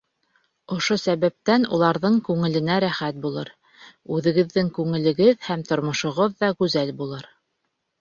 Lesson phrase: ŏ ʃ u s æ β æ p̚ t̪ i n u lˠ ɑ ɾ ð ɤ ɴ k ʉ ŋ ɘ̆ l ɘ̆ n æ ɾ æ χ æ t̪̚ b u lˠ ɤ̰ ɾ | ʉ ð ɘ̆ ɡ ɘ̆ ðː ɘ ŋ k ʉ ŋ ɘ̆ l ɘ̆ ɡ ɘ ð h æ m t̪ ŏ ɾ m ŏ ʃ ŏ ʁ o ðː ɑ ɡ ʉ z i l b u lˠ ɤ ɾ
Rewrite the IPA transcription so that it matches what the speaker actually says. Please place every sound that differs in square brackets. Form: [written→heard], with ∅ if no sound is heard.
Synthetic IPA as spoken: ŏ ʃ [u→o] s æ β æ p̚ t̪ [i→æ] n u lˠ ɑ ɾ ð ɤ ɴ k ʉ ŋ ɘ̆ l ɘ̆ n æ ɾ æ χ æ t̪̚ b u lˠ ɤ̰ ɾ | ʉ ð ɘ̆ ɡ ɘ̆ ðː ɘ ŋ k ʉ ŋ ɘ̆ l ɘ̆ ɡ ɘ ð h æ m t̪ ŏ ɾ m ŏ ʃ ŏ ʁ o ðː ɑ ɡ ʉ z [i→æ] l b u lˠ ɤ ɾ

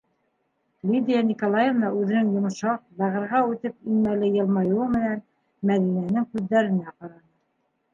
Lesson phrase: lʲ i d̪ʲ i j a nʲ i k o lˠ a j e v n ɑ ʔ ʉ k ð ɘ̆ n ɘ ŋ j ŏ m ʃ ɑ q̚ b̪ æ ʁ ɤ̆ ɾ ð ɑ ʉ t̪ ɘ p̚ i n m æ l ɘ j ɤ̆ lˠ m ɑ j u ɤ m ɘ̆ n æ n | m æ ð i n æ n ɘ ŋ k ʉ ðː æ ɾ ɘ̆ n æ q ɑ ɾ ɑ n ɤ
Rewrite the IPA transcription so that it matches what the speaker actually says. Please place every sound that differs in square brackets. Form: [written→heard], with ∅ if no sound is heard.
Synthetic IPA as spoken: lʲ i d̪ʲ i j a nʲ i k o lˠ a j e v n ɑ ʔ ʉ [k→∅] ð ɘ̆ n ɘ ŋ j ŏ m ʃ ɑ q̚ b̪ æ ʁ ɤ̆ ɾ [ð→ʁ] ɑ ʉ t̪ ɘ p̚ i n m æ l ɘ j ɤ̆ lˠ m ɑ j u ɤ m ɘ̆ n æ n | m æ ð i n æ n ɘ ŋ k ʉ ðː æ ɾ ɘ̆ n æ q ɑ ɾ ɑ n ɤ

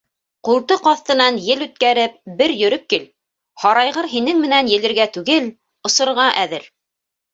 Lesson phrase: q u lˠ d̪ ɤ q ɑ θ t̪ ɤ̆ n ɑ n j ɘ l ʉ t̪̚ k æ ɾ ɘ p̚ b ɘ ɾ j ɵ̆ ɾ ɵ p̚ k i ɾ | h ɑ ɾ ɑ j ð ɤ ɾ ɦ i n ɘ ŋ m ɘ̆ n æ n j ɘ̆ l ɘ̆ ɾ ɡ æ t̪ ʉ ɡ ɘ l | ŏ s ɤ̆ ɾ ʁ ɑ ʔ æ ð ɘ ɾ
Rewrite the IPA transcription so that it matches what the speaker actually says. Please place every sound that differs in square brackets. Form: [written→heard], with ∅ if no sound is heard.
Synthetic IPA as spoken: q u lˠ [d̪→t̪] ɤ q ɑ θ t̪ ɤ̆ n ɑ n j ɘ l ʉ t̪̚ k æ ɾ ɘ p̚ b ɘ ɾ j ɵ̆ ɾ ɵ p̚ k i [ɾ→l] | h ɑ ɾ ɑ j [ð→ʁ] ɤ ɾ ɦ i n ɘ ŋ m ɘ̆ n æ n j ɘ̆ l ɘ̆ ɾ ɡ æ t̪ ʉ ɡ ɘ l | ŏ s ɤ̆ ɾ ʁ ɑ ʔ æ ð ɘ ɾ

